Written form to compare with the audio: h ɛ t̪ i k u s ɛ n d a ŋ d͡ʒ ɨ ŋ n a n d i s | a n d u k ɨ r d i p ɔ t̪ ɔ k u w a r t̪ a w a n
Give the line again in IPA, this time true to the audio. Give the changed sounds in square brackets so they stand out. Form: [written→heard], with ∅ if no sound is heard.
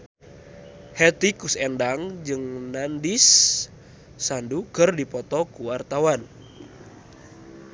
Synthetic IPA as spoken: h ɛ t̪ i k u s ɛ n d a ŋ d͡ʒ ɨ ŋ n a n d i s | a n d u k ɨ r d i p ɔ t̪ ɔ k u w a r t̪ a w a n